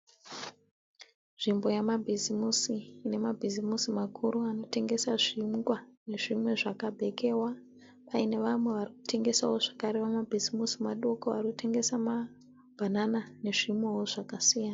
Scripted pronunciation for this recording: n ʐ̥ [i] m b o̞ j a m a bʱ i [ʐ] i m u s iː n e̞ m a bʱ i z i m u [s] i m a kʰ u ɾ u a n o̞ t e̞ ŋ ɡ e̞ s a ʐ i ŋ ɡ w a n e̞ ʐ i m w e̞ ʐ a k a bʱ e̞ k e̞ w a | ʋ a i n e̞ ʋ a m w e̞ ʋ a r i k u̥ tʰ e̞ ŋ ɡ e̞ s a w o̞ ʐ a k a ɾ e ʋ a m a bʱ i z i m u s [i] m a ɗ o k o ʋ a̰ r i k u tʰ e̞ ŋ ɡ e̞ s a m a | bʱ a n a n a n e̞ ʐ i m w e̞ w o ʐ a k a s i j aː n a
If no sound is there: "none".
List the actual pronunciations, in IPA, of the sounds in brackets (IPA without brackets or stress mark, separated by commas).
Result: i, z, s, i